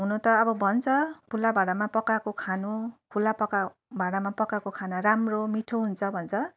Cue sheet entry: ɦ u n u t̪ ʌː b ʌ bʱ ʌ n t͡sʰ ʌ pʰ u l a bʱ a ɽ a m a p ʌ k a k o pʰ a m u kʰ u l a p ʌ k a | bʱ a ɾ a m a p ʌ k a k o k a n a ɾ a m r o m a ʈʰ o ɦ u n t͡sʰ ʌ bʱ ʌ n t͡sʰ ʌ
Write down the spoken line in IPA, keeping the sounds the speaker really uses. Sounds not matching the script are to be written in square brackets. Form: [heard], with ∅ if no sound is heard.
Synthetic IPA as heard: ɦ u n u t̪ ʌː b ʌ bʱ ʌ n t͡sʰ ʌ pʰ u l a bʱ a ɽ a m a p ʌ k a k o [kʰ] a [n] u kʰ u l a p ʌ k a | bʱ a [ɽ] a m a p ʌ k a k o [kʰ] a n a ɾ a m r o m [i] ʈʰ o ɦ u n t͡sʰ ʌ bʱ ʌ n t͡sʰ ʌ